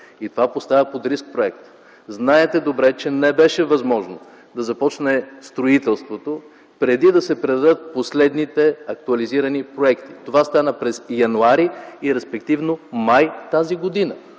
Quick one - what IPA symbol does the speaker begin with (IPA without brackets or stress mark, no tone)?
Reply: i